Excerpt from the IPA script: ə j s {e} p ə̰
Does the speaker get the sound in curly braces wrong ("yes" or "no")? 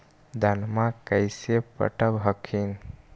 no